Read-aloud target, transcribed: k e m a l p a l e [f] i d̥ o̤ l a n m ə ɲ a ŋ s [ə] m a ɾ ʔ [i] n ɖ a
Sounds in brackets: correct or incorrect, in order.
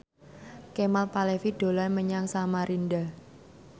correct, incorrect, correct

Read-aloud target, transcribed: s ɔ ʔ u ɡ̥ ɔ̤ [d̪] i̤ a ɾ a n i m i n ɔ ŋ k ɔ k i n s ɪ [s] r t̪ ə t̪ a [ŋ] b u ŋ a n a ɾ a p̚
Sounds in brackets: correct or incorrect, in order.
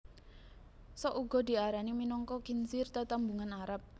correct, incorrect, incorrect

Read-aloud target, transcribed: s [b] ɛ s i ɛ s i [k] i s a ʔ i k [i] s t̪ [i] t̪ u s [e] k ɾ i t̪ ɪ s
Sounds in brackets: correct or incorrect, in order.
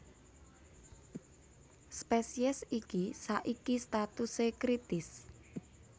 incorrect, correct, correct, incorrect, correct

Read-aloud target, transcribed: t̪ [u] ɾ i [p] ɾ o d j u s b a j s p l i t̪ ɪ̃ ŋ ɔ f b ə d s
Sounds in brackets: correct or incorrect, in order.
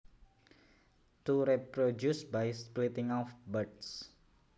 correct, correct

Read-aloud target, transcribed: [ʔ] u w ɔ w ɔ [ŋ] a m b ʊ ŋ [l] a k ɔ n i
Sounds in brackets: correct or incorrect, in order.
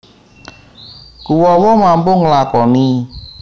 incorrect, incorrect, correct

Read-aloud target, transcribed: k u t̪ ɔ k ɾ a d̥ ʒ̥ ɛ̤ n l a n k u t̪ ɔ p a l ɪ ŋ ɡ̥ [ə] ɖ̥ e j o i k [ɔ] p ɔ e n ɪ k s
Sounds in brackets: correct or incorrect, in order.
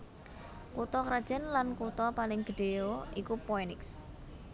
correct, incorrect

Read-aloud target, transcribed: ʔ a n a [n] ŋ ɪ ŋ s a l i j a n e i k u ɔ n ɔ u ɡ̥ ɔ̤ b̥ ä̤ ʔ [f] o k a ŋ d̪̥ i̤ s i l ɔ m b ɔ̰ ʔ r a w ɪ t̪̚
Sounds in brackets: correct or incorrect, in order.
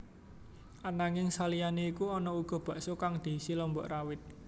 incorrect, incorrect

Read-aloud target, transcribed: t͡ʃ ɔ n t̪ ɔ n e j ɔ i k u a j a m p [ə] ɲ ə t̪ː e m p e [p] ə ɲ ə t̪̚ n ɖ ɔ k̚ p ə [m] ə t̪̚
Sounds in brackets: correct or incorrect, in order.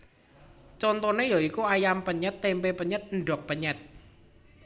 correct, correct, incorrect

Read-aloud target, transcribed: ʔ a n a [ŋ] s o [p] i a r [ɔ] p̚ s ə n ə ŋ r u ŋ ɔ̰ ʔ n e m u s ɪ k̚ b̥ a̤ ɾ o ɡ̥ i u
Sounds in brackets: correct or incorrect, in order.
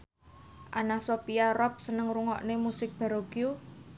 incorrect, correct, correct

